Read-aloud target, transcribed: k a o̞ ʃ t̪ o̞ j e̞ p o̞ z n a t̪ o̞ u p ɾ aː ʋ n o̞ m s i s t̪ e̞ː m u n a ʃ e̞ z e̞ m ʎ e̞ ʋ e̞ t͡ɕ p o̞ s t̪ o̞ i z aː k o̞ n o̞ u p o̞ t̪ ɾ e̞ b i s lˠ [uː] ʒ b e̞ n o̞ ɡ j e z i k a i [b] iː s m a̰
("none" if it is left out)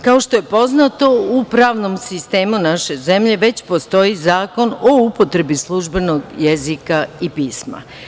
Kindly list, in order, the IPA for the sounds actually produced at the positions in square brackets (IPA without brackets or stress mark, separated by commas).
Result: u, p